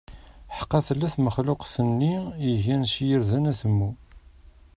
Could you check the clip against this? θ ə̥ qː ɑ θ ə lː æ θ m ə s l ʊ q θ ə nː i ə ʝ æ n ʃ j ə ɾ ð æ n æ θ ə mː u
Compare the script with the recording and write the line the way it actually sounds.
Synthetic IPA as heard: ħ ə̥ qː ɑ θ ə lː æ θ m ə χ l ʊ q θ ə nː i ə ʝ æ n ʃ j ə ɾ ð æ n æ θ ə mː u